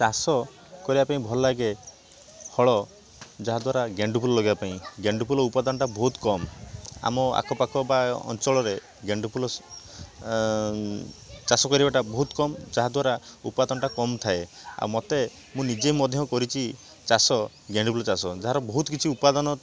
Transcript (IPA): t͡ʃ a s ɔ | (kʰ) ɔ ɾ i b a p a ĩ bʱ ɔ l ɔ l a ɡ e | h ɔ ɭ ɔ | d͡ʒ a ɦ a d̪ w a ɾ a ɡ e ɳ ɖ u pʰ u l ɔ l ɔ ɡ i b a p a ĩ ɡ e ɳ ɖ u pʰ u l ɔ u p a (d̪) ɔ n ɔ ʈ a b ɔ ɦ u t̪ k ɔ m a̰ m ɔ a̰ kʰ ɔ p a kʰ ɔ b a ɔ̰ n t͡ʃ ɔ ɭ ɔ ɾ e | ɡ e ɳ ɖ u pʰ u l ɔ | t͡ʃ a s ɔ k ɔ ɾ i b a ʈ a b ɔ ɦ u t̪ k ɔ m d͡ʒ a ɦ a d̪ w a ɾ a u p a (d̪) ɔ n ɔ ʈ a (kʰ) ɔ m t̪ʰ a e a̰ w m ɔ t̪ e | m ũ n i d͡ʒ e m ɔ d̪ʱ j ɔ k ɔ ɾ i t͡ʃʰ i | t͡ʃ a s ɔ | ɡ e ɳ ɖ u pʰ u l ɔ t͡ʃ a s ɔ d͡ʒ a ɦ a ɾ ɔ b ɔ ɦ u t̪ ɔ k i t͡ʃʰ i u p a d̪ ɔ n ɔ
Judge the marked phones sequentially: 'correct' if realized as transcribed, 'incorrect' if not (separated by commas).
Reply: incorrect, correct, correct, incorrect